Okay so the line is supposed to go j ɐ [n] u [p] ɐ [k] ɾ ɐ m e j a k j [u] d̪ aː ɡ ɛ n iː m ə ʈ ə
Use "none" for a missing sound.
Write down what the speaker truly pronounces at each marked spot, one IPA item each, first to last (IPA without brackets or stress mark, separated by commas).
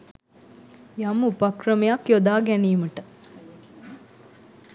m, p, k, o